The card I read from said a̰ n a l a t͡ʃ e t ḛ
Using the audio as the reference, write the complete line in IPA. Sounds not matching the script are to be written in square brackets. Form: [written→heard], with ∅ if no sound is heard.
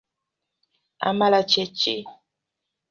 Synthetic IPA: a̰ [n→m] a l a t͡ʃ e [t→t͡ʃ] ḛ